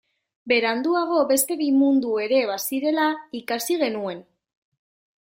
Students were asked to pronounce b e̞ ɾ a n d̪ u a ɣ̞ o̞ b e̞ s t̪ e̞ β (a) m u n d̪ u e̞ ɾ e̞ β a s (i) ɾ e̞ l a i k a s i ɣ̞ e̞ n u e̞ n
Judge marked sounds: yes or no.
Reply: no, yes

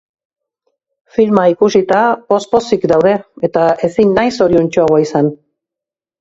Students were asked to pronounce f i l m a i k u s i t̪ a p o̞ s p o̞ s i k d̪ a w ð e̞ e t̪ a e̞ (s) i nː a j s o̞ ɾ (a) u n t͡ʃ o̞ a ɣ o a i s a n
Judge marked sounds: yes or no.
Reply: yes, no

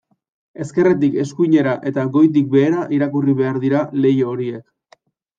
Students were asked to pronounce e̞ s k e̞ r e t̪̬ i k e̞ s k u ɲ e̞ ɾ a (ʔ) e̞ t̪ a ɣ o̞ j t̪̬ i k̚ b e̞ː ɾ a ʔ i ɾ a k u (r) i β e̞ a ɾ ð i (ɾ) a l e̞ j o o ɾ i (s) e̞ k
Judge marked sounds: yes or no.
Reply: yes, yes, yes, no

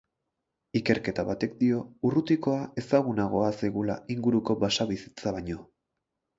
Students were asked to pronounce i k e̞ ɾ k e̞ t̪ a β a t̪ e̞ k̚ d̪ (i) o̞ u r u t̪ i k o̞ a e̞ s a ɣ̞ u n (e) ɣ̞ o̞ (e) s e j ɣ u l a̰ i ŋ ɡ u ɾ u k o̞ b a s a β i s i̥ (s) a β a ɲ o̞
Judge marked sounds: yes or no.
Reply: yes, no, no, no

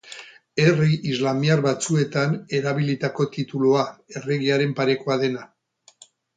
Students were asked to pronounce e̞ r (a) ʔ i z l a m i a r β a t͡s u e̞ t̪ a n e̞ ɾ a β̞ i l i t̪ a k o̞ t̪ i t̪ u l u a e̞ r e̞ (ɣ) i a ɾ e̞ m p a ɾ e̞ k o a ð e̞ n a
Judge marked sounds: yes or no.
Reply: no, yes

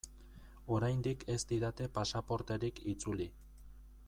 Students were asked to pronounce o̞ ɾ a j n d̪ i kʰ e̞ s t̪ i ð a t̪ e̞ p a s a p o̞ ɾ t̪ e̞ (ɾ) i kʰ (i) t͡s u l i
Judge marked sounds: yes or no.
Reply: yes, yes

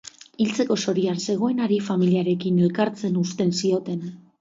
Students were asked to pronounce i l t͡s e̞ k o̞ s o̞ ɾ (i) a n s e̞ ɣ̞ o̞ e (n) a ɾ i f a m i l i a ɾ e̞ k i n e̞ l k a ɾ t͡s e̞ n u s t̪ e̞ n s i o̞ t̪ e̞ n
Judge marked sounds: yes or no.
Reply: yes, yes

